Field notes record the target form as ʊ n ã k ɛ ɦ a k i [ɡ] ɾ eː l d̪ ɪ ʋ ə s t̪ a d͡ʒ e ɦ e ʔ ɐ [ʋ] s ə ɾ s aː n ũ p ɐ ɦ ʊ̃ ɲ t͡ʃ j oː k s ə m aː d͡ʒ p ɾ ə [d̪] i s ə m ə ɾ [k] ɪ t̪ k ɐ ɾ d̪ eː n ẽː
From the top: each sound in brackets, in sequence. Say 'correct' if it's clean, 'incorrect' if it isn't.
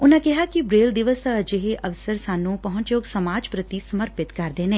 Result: incorrect: b, correct, incorrect: t̪, incorrect: p

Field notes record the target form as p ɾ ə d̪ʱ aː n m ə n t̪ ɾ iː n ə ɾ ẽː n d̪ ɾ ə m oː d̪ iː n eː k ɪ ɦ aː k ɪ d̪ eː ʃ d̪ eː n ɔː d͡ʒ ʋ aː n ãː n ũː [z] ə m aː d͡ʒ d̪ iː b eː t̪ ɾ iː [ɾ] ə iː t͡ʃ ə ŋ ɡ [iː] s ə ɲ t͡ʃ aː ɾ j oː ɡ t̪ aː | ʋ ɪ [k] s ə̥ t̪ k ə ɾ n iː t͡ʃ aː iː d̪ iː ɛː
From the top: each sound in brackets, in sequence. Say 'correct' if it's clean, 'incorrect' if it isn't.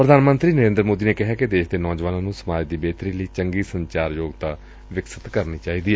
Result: incorrect: s, incorrect: l, correct, correct

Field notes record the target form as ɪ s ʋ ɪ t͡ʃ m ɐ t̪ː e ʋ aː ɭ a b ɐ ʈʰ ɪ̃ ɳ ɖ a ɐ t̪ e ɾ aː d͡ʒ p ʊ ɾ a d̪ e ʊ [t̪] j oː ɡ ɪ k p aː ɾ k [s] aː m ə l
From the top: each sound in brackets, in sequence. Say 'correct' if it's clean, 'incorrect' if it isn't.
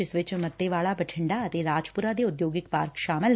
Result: incorrect: d̪, incorrect: ʃ

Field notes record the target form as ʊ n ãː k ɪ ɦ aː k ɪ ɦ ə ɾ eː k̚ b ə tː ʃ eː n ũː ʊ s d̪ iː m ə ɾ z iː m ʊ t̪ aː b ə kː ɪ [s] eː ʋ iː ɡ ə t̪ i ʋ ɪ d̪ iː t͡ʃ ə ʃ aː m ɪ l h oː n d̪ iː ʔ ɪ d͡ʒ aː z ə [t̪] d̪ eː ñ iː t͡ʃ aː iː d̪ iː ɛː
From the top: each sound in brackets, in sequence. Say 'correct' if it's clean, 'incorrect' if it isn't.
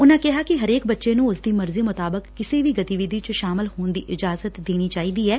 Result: correct, correct

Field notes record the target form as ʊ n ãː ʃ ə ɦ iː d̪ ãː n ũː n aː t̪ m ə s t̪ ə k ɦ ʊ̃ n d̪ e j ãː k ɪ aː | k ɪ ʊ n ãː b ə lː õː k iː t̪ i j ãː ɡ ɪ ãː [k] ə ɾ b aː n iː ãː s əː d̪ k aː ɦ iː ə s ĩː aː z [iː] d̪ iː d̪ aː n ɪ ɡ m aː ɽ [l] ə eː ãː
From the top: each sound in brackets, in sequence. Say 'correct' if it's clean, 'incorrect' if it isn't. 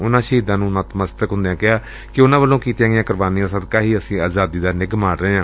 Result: correct, incorrect: aː, incorrect: ɾ

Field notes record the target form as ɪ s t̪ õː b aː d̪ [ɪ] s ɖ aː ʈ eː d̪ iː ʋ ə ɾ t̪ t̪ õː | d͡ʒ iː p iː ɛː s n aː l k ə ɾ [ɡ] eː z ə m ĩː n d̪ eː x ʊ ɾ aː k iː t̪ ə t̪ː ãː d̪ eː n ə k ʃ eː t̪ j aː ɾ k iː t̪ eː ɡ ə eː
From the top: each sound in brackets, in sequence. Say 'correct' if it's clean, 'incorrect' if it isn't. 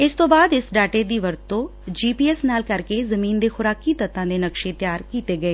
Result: correct, incorrect: k

